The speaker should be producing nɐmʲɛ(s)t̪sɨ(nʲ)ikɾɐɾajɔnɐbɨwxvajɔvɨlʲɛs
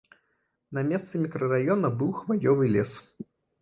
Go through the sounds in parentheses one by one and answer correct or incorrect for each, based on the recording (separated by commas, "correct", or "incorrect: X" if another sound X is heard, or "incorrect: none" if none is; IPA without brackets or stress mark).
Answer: correct, incorrect: mʲ